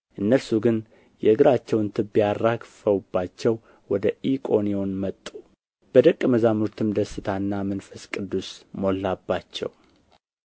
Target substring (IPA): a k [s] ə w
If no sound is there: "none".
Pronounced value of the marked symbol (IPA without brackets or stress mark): f